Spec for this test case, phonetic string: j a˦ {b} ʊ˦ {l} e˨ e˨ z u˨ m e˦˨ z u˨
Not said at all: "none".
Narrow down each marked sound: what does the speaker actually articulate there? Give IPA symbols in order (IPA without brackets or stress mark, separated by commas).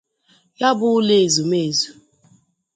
b, l